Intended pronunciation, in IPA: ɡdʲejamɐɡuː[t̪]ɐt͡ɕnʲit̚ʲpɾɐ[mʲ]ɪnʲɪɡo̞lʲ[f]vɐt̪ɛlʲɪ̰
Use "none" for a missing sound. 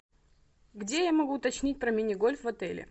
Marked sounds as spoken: t̪, mʲ, f

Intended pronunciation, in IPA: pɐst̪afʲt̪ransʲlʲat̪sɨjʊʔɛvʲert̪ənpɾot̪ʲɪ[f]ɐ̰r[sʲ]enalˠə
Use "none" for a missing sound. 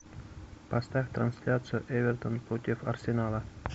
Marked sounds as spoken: f, sʲ

